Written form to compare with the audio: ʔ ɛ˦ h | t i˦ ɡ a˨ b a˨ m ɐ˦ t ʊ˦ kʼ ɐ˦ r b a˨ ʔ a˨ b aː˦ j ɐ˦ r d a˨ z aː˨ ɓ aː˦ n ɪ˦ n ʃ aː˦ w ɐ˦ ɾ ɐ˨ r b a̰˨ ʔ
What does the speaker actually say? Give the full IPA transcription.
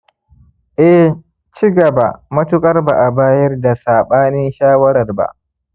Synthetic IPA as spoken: ʔ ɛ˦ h | t͡ʃ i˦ ɡ ɐ˨ b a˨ m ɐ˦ t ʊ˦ kʼ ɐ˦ r b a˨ ʔ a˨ b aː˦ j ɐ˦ r d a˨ s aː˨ ɓ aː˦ n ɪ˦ n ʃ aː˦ w ɐ˦ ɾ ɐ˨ r b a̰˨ ʔ